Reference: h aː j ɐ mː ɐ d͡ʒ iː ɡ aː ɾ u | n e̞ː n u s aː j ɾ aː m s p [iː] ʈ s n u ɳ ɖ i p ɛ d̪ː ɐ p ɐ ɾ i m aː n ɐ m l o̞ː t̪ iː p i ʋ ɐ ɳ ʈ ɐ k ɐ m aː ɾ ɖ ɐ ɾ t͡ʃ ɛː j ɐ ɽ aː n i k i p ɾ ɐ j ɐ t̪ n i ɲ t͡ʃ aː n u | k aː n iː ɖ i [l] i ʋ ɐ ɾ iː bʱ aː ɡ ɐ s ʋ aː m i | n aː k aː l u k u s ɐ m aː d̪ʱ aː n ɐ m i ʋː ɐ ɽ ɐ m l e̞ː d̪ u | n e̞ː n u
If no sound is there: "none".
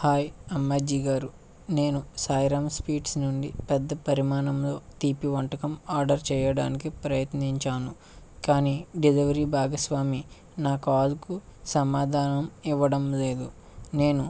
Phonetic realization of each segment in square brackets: iː, l

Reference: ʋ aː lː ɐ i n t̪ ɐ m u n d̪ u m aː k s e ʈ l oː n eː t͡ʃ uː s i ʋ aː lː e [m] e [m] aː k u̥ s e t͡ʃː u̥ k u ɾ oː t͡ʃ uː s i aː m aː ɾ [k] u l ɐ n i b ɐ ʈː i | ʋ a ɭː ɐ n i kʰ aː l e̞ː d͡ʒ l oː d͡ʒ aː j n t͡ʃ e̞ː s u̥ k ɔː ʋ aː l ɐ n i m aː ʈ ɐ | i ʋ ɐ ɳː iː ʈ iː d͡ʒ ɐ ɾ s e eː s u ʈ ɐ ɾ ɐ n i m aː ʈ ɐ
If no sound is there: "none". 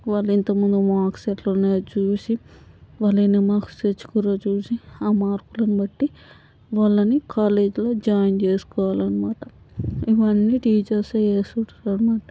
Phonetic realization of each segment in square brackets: n, m, k

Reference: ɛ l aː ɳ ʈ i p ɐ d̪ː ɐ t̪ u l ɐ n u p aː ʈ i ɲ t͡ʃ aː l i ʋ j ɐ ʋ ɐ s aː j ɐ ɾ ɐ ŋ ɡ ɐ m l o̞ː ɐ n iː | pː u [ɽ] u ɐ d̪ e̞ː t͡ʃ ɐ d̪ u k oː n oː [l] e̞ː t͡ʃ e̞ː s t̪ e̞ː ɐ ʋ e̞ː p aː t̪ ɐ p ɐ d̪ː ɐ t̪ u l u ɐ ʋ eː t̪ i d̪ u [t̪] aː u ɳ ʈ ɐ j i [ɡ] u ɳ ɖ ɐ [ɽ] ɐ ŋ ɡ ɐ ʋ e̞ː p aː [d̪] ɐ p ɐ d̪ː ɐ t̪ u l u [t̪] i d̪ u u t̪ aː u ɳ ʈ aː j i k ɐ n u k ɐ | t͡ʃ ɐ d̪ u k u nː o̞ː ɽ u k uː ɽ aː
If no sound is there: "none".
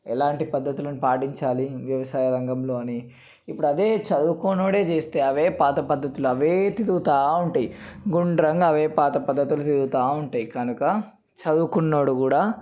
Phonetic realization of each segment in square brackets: ɽ, ɽ, t̪, ɡ, ɾ, t̪, t̪

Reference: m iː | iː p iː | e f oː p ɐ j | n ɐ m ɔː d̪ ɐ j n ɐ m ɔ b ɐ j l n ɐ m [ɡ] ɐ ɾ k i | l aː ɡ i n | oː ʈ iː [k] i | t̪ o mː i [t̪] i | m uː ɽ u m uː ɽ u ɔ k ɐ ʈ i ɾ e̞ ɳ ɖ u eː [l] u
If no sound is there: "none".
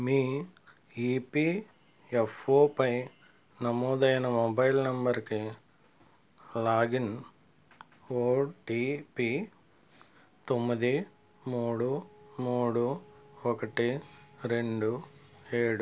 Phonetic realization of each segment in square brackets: b, p, d̪, ɽ

